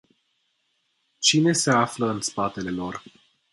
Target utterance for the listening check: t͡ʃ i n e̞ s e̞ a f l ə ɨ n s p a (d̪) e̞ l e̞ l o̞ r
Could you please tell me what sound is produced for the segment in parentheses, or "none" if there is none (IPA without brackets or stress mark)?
t̪